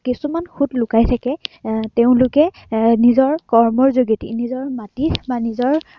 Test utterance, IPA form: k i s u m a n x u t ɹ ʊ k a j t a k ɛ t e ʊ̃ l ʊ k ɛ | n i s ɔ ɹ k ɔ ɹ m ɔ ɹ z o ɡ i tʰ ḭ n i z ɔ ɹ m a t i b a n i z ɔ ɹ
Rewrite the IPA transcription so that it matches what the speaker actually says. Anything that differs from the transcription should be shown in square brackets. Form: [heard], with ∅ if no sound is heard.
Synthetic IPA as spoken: k i s u m a n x u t [l] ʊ k a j [tʰ] a k ɛ t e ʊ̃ l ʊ k ɛ | n i [z] ɔ ɹ k ɔ ɹ m ɔ ɹ z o ɡ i [t] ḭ n i z ɔ ɹ m a t i b a n i z ɔ ɹ

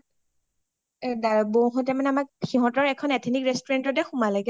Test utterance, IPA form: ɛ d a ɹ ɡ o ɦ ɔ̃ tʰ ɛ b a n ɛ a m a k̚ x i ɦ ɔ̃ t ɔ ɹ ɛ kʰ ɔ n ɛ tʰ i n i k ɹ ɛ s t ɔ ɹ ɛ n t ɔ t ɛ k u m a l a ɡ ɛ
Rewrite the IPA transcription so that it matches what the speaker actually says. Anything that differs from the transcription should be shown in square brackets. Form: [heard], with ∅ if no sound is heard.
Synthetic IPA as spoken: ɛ d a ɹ [b] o ɦ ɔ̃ [t] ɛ [m] a n ɛ a m a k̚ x i ɦ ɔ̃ t ɔ ɹ ɛ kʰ ɔ n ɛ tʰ i n i k ɹ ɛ s t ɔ ɹ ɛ n t ɔ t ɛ [x] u m a l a ɡ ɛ

